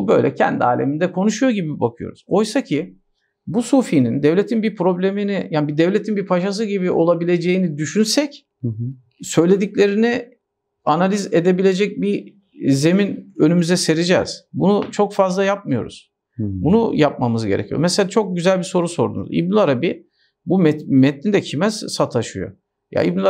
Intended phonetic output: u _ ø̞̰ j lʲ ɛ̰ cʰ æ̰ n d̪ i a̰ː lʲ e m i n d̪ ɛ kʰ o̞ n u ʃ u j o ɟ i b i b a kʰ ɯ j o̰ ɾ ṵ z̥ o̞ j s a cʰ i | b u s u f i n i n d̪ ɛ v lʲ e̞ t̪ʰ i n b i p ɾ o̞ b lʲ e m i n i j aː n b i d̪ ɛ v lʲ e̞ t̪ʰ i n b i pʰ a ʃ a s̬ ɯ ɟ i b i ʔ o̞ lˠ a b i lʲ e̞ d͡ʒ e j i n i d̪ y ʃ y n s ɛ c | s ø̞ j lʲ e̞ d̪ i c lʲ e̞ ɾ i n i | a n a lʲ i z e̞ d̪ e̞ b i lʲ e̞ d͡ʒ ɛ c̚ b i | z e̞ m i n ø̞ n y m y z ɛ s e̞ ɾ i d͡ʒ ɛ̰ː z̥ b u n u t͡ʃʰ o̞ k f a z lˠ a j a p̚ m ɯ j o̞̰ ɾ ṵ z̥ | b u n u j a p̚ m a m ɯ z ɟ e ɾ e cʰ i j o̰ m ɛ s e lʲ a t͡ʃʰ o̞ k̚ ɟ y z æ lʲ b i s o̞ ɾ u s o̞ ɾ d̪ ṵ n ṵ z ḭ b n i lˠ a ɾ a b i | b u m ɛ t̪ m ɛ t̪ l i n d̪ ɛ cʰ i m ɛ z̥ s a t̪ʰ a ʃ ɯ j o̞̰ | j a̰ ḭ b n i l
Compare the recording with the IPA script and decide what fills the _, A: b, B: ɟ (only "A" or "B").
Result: A